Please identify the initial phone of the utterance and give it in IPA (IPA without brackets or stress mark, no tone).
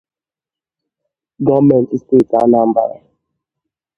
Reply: ɡ